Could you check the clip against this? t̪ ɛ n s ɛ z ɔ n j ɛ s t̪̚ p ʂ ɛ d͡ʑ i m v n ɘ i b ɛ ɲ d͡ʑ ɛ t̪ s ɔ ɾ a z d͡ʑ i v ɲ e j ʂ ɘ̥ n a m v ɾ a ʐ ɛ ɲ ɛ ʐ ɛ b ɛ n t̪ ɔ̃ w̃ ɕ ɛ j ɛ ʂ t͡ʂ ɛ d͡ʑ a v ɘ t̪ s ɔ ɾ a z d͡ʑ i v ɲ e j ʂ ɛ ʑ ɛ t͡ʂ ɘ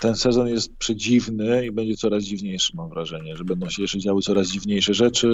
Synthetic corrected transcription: t̪ ɛ n s ɛ z ɔ n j ɛ s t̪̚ p ʂ ɛ d͡ʑ i v n ɘ i b ɛ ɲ d͡ʑ ɛ t̪ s ɔ ɾ a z d͡ʑ i v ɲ e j ʂ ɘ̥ m a m v ɾ a ʐ ɛ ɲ ɛ ʐ ɛ b ɛ n d̪ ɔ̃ w̃ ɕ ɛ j ɛ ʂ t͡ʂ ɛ d͡ʑ a w ɘ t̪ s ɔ ɾ a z d͡ʑ i v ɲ e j ʂ ɛ ʐ ɛ t͡ʂ ɘ